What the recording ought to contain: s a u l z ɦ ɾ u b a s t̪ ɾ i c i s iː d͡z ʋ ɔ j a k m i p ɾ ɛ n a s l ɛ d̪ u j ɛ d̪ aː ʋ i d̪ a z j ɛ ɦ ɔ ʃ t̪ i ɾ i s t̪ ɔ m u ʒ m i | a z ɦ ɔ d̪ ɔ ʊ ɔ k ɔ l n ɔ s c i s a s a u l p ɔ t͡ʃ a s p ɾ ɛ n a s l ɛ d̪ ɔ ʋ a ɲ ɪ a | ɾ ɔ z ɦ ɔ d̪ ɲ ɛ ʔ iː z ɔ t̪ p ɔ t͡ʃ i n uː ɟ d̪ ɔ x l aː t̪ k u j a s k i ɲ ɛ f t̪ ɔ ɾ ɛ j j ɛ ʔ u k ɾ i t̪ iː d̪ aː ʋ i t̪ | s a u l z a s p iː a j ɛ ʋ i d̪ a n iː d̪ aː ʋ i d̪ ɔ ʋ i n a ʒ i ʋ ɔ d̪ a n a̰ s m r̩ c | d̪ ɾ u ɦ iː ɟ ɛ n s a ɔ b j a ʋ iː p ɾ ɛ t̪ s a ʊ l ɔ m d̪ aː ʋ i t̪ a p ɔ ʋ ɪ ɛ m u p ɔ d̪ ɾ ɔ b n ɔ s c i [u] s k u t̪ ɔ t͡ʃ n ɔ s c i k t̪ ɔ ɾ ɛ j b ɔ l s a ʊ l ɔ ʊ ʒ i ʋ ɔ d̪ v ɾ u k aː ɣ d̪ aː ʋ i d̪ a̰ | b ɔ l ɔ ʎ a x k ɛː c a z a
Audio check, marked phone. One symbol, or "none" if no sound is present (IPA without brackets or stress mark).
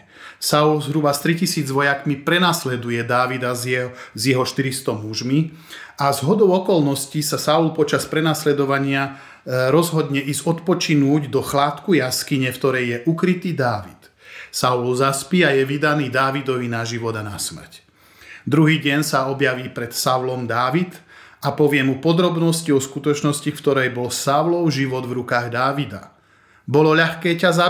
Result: ɔ